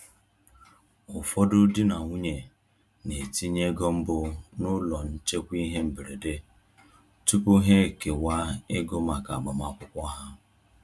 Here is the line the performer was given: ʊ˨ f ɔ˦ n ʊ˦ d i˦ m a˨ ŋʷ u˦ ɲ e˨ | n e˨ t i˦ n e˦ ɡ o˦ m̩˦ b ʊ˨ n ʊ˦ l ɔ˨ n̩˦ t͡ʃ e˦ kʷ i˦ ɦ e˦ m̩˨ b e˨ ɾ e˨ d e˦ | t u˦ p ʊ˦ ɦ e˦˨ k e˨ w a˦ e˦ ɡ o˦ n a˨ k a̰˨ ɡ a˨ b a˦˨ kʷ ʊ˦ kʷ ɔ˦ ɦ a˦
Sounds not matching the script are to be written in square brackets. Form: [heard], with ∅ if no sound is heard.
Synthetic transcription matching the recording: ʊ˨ f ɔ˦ [d] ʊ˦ d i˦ [n] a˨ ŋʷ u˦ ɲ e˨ | n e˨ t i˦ [ɲ] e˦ ɡ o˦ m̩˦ b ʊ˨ n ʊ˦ l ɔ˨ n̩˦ t͡ʃ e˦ kʷ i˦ ɦ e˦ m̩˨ b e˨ ɾ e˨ d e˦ | t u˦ p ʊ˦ ɦ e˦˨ k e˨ w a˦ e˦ ɡ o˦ [m] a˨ k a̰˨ [ɡ͡b] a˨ [m] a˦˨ kʷ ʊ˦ kʷ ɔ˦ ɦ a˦